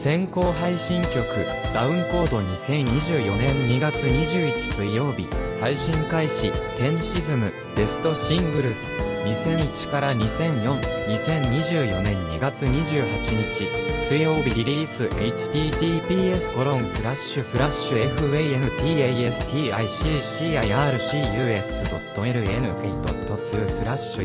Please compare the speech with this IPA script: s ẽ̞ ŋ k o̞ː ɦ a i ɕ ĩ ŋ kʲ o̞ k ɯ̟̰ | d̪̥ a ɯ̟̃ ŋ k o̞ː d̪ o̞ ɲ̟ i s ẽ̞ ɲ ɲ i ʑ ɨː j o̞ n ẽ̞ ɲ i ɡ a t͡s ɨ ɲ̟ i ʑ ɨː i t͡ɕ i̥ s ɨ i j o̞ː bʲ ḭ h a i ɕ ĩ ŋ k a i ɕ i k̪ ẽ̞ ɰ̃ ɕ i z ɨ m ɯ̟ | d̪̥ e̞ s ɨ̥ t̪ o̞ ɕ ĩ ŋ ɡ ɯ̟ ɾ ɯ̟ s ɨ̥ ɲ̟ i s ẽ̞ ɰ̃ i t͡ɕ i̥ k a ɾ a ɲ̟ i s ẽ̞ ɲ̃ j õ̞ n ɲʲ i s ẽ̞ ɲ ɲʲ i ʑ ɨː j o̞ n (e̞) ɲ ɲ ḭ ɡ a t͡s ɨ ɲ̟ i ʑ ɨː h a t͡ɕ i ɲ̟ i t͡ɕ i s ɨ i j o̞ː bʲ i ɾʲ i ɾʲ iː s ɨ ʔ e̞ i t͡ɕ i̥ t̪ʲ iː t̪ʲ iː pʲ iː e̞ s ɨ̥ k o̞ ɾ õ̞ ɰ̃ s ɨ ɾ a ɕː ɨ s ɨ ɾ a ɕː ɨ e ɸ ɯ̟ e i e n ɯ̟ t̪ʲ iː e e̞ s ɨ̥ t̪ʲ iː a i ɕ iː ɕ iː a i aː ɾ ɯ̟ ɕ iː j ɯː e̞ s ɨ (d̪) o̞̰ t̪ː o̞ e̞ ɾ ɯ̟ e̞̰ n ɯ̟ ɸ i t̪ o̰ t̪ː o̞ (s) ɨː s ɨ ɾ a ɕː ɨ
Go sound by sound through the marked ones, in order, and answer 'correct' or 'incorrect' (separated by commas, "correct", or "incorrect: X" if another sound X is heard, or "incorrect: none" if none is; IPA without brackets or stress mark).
incorrect: ẽ̞, correct, incorrect: t͡s